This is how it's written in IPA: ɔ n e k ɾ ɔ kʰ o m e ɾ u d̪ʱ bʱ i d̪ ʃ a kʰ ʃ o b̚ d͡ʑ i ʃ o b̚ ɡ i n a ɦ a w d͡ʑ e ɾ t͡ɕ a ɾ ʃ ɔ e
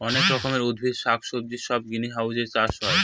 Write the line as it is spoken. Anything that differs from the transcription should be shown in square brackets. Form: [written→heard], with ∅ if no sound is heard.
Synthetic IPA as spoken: ɔ n e k ɾ ɔ kʰ o m e ɾ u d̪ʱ bʱ i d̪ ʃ a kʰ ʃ o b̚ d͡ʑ i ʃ [o→ɔ] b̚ ɡ i n [a→i] ɦ a w d͡ʑ e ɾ t͡ɕ a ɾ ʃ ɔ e